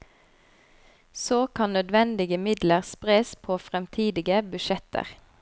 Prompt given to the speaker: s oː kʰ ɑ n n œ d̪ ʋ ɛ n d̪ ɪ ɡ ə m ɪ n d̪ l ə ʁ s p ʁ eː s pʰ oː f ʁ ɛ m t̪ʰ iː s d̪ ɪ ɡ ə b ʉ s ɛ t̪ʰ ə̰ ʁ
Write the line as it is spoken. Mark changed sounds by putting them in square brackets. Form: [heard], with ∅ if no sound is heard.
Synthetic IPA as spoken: s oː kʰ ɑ n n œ d̪ ʋ ɛ n d̪ ɪ ɡ ə m ɪ [∅] d̪ l ə ʁ s p ʁ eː s pʰ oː f ʁ ɛ m t̪ʰ iː [∅] d̪ ɪ ɡ ə b ʉ [ʃ] ɛ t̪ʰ ə̰ ʁ